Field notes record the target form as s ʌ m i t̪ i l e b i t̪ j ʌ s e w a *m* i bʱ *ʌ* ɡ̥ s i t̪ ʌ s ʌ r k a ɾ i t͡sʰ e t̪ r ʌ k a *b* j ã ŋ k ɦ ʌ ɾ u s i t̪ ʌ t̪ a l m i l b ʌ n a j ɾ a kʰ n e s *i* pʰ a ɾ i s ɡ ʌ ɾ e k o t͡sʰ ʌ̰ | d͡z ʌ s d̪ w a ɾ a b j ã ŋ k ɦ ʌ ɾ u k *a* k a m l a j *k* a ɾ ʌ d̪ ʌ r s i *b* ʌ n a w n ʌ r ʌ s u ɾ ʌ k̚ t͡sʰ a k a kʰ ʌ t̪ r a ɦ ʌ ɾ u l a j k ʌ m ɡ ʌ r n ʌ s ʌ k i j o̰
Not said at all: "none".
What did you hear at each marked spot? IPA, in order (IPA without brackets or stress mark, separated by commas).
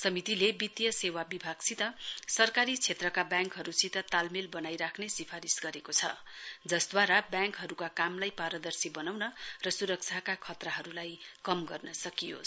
b, a, b, i, a, p, b